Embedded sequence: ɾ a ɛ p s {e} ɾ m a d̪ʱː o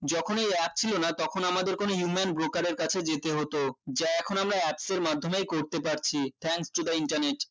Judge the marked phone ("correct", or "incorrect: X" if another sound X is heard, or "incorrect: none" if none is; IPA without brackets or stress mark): correct